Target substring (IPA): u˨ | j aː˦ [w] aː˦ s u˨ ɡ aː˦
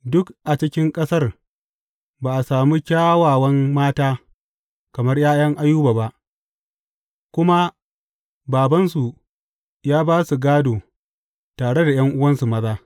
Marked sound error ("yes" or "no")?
yes